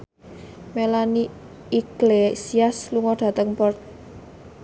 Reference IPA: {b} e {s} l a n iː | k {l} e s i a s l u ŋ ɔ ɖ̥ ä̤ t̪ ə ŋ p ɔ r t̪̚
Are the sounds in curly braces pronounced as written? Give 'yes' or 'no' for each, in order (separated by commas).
no, no, yes